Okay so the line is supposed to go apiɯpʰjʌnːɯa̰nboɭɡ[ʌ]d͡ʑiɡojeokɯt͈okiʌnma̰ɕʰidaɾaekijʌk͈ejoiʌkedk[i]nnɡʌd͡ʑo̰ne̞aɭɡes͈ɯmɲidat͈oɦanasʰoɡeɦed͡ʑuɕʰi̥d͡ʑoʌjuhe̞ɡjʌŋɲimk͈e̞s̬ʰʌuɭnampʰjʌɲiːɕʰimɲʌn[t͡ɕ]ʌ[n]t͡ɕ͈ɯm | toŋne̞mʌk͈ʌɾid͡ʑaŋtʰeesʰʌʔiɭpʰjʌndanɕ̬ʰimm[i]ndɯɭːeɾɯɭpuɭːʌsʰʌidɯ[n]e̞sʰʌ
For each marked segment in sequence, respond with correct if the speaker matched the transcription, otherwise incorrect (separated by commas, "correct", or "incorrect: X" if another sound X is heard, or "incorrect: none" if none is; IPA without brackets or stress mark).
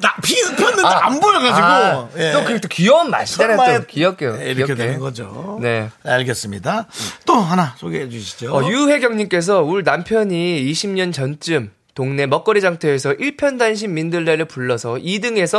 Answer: incorrect: a, incorrect: e, correct, correct, correct, incorrect: ŋ